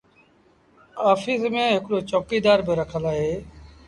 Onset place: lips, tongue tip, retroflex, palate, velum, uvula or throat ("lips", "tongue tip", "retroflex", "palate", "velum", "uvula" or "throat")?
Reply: lips